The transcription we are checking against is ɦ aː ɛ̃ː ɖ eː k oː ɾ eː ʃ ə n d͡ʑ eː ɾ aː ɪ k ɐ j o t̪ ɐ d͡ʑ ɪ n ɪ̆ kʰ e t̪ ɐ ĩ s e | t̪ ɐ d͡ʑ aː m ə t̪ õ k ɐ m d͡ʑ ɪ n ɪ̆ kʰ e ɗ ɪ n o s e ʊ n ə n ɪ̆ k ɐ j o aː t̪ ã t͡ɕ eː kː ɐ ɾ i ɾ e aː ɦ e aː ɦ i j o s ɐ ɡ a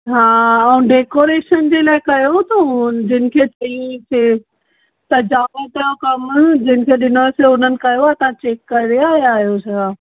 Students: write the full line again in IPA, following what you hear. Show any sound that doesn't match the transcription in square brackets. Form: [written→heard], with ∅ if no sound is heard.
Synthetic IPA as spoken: ɦ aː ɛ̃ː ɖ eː k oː ɾ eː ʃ ə n d͡ʑ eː [ɾ→l] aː ɪ k ɐ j o t̪ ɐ d͡ʑ ɪ n ɪ̆ kʰ e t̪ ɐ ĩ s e | t̪ ɐ d͡ʑ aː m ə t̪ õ k ɐ m d͡ʑ ɪ n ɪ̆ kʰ e ɗ ɪ n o s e ʊ n ə n ɪ̆ k ɐ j o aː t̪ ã t͡ɕ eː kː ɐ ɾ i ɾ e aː ɦ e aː ɦ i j o s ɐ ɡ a